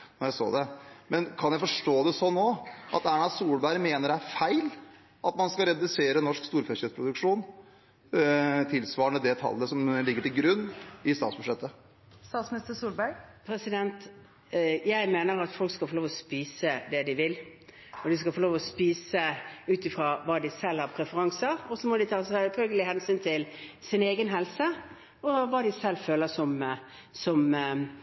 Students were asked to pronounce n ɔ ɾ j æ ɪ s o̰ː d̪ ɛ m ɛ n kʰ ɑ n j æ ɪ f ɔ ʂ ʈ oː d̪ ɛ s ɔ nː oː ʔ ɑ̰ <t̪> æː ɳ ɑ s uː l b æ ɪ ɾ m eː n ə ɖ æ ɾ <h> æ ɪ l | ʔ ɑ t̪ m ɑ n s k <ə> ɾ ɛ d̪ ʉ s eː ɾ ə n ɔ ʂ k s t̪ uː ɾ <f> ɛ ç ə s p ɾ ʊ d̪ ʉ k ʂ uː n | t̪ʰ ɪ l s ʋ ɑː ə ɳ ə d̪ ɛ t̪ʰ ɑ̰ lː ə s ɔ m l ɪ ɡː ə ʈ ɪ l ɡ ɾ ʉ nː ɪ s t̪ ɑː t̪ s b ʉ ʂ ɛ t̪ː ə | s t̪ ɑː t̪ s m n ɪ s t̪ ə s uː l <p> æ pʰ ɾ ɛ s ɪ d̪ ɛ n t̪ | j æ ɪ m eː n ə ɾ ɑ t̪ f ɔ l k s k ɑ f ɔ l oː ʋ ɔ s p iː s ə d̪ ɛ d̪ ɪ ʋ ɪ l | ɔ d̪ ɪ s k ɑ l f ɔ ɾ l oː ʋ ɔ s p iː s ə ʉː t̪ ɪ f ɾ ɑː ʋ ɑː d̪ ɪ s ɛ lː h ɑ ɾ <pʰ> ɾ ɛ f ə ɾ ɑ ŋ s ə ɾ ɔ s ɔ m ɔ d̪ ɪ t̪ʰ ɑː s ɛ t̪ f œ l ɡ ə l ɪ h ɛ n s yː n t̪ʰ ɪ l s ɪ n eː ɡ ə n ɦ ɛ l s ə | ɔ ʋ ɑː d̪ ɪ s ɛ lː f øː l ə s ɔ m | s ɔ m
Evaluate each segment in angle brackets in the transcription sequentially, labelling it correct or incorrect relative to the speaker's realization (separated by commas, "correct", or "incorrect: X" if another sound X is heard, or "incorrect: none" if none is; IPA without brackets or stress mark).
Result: correct, incorrect: f, incorrect: ɑ, correct, incorrect: b, correct